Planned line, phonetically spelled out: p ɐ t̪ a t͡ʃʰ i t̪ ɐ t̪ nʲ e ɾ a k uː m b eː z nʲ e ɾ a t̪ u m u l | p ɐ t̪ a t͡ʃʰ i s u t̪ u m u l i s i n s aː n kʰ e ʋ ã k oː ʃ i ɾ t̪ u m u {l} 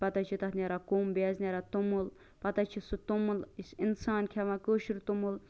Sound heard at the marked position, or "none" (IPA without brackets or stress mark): l